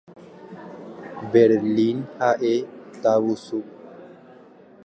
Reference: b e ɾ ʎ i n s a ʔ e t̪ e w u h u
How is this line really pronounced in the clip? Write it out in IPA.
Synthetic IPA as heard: b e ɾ l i n h a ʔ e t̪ a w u s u